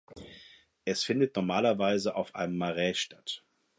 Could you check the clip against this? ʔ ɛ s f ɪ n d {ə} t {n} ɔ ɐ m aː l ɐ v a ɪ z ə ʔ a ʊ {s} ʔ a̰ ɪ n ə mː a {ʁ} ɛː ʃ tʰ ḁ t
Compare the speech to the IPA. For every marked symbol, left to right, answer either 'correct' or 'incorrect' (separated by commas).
correct, correct, incorrect, correct